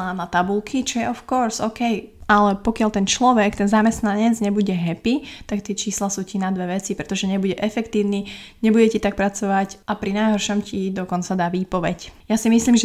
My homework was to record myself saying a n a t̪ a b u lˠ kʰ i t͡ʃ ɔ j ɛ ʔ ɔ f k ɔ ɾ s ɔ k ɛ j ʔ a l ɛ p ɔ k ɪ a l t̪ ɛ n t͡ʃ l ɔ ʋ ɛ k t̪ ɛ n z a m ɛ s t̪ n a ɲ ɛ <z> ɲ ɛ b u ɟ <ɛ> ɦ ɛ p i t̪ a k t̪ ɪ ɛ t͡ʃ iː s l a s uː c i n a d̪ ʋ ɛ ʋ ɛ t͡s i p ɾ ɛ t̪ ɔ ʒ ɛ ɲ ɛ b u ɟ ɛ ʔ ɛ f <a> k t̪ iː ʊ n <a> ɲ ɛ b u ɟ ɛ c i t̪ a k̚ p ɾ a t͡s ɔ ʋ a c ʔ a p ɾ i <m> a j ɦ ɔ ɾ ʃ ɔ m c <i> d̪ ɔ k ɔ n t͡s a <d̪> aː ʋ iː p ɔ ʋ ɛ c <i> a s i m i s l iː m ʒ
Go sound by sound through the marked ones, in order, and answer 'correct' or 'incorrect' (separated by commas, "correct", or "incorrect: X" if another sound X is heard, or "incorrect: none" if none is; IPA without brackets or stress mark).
incorrect: d͡z, correct, incorrect: ɛ, incorrect: i, incorrect: n, correct, correct, incorrect: j